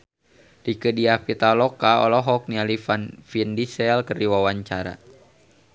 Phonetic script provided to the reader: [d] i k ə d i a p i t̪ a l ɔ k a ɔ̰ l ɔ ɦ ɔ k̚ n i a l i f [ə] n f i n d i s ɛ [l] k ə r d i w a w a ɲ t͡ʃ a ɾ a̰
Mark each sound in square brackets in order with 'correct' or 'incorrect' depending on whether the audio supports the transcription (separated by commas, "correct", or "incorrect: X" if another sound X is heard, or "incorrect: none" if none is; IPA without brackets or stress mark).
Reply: correct, incorrect: a, correct